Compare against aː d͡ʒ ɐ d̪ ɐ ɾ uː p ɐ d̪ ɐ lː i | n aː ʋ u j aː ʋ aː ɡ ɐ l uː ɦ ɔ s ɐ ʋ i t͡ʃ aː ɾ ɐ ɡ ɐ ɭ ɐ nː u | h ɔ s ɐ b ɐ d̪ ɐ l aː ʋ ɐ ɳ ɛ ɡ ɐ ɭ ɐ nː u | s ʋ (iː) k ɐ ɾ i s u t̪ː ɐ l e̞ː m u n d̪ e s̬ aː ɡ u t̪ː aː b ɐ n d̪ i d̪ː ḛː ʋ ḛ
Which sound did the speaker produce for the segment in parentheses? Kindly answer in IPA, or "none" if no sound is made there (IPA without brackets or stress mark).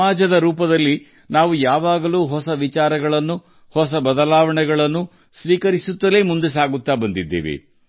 iː